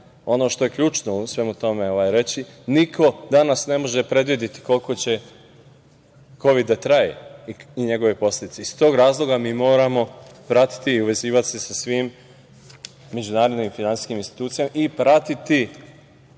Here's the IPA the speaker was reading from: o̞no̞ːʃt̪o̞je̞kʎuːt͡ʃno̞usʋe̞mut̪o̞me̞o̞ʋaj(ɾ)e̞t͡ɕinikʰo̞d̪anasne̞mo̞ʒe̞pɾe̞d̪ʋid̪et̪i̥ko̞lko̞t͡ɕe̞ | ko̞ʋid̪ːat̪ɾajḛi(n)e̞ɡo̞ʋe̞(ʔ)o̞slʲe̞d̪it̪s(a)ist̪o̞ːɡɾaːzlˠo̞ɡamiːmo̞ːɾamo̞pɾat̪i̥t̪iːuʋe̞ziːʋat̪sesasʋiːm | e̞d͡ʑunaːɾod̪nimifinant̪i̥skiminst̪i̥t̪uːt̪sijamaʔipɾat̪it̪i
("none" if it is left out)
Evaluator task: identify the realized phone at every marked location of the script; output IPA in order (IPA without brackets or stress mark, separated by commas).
ɾ, ɲ, p, e